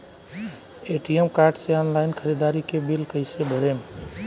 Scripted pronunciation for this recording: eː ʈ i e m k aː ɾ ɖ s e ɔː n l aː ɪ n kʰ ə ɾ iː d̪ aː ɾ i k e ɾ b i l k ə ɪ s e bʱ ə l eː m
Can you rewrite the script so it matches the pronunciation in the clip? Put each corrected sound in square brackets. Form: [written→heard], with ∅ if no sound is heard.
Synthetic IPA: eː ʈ i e m k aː ɾ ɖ s e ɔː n l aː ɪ n kʰ ə ɾ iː d̪ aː ɾ i k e [ɾ→∅] b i l k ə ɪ s e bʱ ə [l→ɾ] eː m